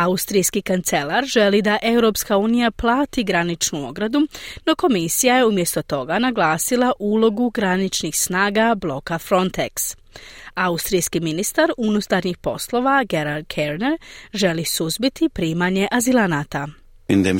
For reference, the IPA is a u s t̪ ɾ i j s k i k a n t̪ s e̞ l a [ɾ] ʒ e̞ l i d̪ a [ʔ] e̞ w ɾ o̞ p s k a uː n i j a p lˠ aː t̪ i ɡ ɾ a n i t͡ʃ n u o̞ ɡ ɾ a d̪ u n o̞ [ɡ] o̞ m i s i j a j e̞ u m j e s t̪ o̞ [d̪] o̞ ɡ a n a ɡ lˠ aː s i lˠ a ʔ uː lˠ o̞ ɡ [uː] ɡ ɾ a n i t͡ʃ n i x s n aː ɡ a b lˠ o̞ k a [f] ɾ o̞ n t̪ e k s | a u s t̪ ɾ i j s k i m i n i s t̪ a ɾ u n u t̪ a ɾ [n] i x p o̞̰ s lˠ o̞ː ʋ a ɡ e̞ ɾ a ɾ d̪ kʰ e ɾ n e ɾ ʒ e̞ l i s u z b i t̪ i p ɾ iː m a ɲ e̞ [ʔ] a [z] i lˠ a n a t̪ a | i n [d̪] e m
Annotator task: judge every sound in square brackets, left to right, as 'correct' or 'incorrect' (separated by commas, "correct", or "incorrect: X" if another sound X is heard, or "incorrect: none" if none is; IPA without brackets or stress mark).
correct, correct, incorrect: k, incorrect: t̪, incorrect: u, correct, incorrect: ɲ, correct, correct, correct